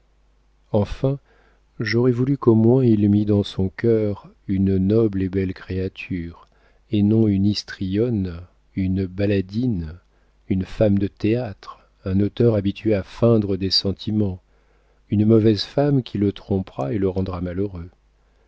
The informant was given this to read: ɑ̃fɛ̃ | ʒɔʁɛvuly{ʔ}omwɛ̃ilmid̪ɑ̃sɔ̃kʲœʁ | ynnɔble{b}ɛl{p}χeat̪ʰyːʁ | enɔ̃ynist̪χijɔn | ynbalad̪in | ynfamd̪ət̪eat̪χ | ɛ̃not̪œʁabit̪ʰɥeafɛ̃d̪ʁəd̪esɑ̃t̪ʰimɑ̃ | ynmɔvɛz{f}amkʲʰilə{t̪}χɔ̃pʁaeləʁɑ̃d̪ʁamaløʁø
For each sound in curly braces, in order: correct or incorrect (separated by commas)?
incorrect, correct, incorrect, correct, correct